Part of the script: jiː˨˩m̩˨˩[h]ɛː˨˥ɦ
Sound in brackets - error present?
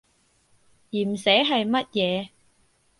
yes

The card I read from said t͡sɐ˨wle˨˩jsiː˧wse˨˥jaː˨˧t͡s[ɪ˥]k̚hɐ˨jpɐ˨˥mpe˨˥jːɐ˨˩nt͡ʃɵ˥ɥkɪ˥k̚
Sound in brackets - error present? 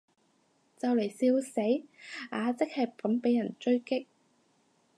no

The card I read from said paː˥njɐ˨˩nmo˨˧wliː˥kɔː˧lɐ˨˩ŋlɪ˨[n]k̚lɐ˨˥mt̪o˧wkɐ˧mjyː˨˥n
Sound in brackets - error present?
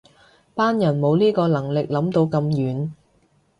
yes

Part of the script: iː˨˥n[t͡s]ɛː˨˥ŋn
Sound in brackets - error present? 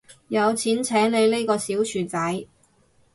yes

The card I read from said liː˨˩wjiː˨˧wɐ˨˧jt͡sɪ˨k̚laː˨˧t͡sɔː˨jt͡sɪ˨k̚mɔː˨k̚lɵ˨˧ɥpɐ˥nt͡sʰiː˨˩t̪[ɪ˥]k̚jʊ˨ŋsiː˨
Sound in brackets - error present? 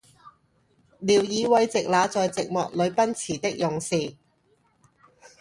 no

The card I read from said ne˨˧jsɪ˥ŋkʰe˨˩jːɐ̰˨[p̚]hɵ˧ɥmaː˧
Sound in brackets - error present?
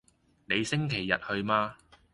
yes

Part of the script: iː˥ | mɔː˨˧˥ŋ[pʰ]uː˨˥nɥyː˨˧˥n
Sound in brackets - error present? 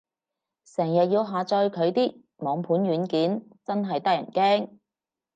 no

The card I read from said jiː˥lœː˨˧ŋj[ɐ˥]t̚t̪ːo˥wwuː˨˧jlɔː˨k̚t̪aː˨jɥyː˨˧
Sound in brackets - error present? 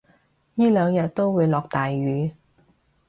yes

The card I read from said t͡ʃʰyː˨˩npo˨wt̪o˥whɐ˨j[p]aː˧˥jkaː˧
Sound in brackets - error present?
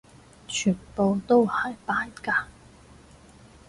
no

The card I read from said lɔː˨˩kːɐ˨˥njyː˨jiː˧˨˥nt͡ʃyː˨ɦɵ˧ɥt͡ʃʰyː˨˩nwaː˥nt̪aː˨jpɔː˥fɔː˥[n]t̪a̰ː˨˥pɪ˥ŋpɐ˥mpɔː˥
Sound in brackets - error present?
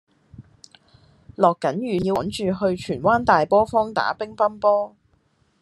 yes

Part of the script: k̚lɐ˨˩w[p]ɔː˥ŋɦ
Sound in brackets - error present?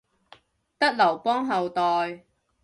no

